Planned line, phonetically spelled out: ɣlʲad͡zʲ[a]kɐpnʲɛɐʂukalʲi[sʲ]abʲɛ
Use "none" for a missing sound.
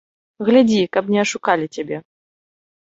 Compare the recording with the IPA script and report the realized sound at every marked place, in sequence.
i, t͡sʲ

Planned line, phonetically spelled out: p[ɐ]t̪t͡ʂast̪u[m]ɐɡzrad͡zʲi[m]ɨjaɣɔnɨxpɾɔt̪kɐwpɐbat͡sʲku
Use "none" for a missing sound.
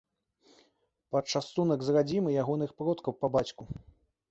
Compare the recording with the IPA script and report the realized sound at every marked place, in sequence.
ɐ, n, m

